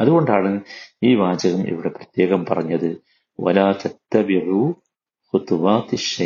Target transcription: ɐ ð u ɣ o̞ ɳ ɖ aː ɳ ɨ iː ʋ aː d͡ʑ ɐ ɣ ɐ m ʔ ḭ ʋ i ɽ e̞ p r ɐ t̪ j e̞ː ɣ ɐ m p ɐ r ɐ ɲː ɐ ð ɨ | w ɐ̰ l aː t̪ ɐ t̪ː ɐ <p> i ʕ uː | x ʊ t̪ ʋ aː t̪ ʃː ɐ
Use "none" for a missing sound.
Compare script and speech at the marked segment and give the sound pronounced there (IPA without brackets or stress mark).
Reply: b